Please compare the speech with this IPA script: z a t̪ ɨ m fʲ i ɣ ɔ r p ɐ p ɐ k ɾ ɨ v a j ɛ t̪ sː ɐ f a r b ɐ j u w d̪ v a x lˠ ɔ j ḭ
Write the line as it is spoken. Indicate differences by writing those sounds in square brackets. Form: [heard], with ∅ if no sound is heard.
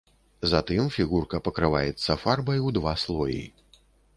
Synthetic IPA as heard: z a t̪ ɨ m fʲ i ɣ [u] r [k] ɐ p ɐ k ɾ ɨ v a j ɛ t̪ sː ɐ f a r b ɐ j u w d̪ v a [s] lˠ ɔ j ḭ